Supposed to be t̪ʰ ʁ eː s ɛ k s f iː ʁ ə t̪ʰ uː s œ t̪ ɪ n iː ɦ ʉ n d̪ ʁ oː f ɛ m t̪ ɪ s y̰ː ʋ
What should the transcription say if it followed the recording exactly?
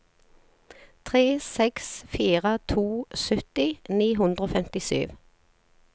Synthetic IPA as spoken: t̪ʰ ʁ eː s ɛ k s f iː ʁ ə t̪ʰ uː s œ t̪ ɪ n iː ɦ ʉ n d̪ ʁ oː f ɛ m t̪ ɪ s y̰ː ʋ

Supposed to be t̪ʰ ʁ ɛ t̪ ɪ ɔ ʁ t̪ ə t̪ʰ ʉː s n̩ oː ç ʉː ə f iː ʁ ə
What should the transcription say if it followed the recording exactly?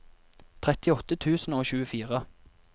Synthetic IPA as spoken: t̪ʰ ʁ ɛ t̪ ɪ ɔ t̪ ə t̪ʰ ʉː s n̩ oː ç ʉː ə f iː ʁ ə

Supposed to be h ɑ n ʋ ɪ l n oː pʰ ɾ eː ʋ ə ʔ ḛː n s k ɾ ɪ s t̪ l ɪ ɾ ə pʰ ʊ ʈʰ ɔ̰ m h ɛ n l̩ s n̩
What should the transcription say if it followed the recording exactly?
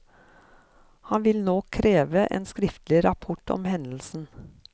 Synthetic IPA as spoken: h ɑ n ʋ ɪ l n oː kʰ ɾ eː ʋ ə ʔ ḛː n s k ɾ ɪ f t̪ l ɪ ɾ ɑ pʰ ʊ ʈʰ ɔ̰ m h ɛ n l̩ s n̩

